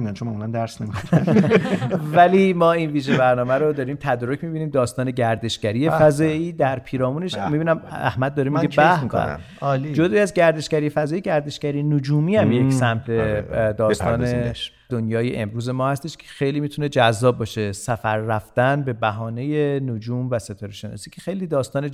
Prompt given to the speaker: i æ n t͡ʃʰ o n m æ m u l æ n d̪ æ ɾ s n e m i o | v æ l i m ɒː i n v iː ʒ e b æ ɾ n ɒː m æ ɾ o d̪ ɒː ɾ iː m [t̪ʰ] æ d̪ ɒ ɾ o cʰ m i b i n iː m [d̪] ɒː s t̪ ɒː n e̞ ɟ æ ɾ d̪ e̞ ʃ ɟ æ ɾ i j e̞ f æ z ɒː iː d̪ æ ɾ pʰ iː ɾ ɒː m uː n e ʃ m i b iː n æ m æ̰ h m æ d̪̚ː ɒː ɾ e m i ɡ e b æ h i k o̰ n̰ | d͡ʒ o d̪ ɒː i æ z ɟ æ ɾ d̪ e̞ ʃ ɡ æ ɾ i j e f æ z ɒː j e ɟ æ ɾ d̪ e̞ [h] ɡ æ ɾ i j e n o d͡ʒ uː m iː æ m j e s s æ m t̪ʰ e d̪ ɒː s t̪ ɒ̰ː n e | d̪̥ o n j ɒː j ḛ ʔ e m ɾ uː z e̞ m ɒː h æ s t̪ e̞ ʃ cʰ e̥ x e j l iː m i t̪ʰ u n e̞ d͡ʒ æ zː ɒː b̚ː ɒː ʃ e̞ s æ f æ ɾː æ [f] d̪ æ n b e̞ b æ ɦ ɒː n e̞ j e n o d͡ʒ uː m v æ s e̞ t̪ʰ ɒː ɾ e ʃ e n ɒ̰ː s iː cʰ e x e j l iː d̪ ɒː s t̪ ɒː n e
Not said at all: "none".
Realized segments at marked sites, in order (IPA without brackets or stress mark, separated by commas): t̪ʰ, d̪, ʃ, f